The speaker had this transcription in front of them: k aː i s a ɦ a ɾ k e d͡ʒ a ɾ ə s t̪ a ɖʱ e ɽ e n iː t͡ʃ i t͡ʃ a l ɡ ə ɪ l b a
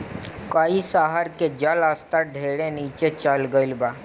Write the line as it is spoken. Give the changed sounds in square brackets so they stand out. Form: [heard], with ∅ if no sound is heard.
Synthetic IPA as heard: k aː i s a ɦ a ɾ k e d͡ʒ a [l] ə s t̪ a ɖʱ e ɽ e n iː t͡ʃ [e] t͡ʃ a l ɡ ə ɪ l b a

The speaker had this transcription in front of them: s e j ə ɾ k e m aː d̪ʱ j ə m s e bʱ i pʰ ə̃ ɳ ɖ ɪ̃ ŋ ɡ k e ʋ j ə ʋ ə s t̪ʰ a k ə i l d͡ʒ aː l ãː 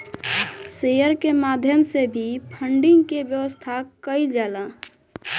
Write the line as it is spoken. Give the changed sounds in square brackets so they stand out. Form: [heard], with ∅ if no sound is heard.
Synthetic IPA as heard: s e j ə ɾ k e m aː d̪ʱ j ə m s e bʱ i pʰ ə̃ ɳ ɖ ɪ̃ ŋ ɡ k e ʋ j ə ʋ ə s t̪ʰ a k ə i l d͡ʒ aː l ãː

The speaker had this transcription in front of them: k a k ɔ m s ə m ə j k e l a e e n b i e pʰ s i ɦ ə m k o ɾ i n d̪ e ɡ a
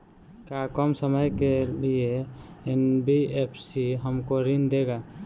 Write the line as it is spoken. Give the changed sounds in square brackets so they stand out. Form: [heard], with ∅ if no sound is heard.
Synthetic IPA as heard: k a k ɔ m s ə m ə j k e l [i] e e n b i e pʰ s i ɦ ə m k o ɾ i n d̪ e ɡ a

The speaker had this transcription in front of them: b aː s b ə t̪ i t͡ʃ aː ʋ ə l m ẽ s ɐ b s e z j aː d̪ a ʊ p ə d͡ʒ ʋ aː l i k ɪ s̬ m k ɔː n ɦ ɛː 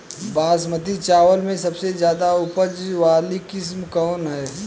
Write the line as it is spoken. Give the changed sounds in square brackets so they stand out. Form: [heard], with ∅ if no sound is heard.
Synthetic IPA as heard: b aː s [m] ə t̪ i t͡ʃ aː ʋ ə l m ẽ s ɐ b s e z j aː d̪ a ʊ p ə d͡ʒ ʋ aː l i k ɪ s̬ m k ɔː n ɦ ɛː

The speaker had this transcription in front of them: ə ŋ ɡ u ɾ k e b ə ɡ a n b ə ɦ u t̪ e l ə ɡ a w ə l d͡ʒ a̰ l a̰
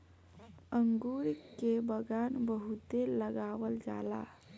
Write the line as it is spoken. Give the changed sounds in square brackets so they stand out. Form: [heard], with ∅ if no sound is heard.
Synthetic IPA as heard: ə ŋ ɡ u ɾ k e b ə ɡ a n b ə ɦ u t̪ e l ə ɡ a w ə l d͡ʒ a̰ l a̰

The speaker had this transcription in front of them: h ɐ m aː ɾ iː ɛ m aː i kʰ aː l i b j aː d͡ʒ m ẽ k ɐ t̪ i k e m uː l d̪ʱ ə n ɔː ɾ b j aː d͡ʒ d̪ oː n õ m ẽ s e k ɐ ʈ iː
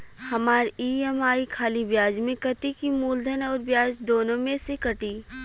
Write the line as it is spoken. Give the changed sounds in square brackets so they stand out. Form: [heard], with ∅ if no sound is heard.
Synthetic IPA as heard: h ɐ m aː ɾ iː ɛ m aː i kʰ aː l i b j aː d͡ʒ m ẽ k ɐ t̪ i k [i] m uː l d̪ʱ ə n ɔː ɾ b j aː d͡ʒ d̪ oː n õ m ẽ s e k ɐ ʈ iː

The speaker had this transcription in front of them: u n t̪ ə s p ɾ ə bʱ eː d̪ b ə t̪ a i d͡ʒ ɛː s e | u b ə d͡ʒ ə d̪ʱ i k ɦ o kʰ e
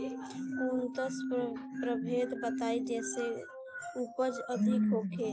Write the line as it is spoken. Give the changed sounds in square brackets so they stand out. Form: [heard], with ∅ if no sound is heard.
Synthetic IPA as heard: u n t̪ ə s p ɾ ə bʱ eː d̪ b ə t̪ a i d͡ʒ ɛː s e | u [p] ə d͡ʒ ə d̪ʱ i k ɦ o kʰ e

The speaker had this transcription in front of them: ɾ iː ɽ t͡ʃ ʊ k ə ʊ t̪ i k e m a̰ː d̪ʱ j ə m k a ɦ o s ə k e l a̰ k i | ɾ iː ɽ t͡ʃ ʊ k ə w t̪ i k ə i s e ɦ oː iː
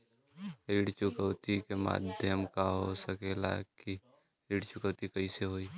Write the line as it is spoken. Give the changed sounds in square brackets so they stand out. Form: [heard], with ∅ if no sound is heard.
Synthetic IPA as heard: ɾ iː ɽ t͡ʃ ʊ k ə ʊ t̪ i k e m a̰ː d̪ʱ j ə m k a ɦ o s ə k e l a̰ k i | ɾ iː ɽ t͡ʃ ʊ k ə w t̪ i k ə i s e ɦ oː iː

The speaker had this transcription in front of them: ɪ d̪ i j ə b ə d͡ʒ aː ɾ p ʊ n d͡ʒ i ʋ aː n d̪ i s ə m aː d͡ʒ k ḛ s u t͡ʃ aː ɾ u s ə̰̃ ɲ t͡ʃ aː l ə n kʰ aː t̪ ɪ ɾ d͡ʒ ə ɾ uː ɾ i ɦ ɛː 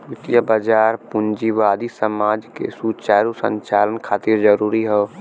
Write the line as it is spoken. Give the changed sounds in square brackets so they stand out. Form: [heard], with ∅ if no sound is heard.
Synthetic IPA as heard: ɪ [t̪] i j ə b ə d͡ʒ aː ɾ p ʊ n d͡ʒ i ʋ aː [∅] d̪ i s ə m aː d͡ʒ k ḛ s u t͡ʃ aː ɾ u s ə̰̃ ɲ t͡ʃ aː l ə n kʰ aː t̪ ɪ ɾ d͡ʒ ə ɾ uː ɾ i ɦ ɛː

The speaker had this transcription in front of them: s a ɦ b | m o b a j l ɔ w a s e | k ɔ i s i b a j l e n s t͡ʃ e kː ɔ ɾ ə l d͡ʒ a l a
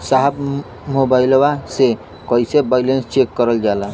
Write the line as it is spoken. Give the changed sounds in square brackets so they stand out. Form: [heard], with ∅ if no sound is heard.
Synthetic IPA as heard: s a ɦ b | m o b a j l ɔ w a s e | k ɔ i s [e] b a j l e n s t͡ʃ e kː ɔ ɾ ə l d͡ʒ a l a

